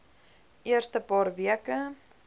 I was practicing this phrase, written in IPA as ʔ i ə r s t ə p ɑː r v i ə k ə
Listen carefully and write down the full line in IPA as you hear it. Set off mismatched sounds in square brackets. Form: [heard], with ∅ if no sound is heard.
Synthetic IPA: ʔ i ə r s t ə p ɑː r v i ə k ə